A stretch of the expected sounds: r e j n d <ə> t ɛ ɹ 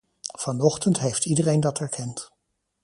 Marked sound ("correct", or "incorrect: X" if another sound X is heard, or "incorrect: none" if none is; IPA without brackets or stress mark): incorrect: ɑ